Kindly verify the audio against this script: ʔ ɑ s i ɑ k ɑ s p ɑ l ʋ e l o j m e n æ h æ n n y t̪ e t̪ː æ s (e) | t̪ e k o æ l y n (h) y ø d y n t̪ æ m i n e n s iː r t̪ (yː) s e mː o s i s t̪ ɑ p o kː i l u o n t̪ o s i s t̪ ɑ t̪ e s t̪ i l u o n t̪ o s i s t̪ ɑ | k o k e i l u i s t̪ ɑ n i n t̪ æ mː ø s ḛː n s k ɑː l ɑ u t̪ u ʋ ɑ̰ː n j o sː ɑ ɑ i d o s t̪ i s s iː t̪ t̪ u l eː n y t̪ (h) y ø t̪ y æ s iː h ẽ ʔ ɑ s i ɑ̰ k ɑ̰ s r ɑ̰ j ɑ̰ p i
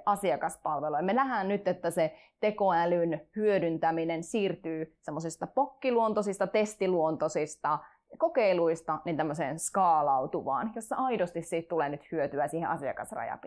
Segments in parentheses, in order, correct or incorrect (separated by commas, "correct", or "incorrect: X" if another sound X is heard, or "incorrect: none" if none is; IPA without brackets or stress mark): correct, correct, correct, correct